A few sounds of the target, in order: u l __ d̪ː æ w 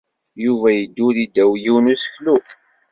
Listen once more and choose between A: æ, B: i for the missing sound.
B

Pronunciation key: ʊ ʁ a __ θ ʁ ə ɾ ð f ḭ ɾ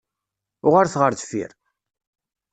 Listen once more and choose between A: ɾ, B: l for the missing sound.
A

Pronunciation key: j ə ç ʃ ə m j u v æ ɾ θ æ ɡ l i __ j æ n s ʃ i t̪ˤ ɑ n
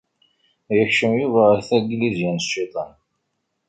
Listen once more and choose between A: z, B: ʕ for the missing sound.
A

